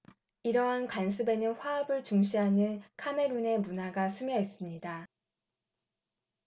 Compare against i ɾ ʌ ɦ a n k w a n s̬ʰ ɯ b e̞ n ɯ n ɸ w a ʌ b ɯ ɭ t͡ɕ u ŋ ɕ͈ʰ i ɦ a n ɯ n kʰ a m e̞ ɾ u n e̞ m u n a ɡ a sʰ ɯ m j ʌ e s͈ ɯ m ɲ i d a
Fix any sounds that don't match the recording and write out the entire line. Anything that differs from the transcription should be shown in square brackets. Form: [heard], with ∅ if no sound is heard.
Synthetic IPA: i ɾ ʌ ɦ a n k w a n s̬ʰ ɯ b e̞ n ɯ n ɸ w a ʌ b ɯ ɭ t͡ɕ u ŋ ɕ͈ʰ i ɦ a n ɯ n kʰ a m e̞ ɾ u n e̞ m u n a ɡ a sʰ ɯ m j ʌ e s͈ ɯ m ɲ i d a